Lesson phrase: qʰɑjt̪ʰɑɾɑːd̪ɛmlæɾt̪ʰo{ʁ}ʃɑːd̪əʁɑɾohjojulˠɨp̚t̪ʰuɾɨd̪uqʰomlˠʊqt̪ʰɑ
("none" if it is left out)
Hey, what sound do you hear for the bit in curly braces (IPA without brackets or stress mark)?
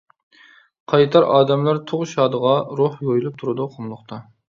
ʁ